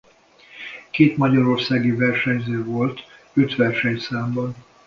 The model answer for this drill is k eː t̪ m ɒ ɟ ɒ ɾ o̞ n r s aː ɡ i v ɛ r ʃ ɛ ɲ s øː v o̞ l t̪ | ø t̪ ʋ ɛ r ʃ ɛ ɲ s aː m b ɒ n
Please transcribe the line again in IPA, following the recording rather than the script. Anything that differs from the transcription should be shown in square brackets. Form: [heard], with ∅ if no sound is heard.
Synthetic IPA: k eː t̪ m ɒ ɟ ɒ ɾ o̞ [∅] r s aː ɡ i v ɛ r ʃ ɛ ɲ [z] øː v o̞ l t̪ | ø t̪ ʋ ɛ r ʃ ɛ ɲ s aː m b ɒ n